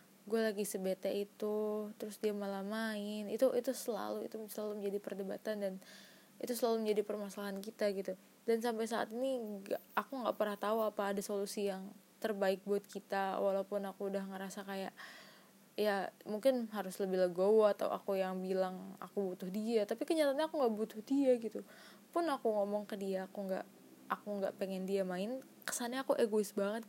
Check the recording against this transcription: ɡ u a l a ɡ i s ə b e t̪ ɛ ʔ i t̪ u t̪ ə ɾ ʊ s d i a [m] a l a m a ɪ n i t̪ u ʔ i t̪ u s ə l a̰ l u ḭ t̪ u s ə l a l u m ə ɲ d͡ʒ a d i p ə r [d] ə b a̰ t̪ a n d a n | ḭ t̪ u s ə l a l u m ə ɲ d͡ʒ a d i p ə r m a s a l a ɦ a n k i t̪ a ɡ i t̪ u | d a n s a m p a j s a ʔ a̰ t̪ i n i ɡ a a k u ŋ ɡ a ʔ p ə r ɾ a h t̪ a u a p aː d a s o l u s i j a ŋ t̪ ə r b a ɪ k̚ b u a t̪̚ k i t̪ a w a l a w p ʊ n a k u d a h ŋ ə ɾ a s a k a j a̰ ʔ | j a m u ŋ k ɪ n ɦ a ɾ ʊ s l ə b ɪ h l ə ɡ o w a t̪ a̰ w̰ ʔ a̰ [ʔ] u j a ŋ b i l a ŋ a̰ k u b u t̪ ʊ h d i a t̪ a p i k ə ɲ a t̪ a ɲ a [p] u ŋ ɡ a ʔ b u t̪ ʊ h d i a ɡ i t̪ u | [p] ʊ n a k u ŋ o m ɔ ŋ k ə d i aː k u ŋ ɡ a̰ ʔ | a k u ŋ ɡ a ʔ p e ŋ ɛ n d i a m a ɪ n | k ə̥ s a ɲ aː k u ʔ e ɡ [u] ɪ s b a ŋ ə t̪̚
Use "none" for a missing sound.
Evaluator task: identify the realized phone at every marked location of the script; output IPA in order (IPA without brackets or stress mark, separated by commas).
m, d, k, k, p, o